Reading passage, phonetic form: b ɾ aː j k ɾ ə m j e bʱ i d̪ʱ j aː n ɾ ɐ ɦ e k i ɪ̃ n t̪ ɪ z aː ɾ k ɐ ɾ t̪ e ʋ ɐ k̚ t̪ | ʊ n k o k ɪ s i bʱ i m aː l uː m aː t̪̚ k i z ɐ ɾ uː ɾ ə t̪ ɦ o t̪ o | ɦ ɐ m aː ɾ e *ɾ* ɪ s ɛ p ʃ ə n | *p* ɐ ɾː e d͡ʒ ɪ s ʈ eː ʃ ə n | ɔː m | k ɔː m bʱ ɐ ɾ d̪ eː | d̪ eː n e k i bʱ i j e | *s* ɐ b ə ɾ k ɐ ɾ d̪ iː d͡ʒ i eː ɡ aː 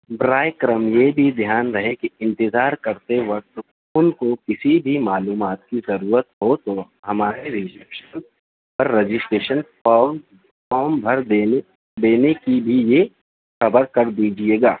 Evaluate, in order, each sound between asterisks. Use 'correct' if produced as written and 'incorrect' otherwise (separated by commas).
correct, correct, incorrect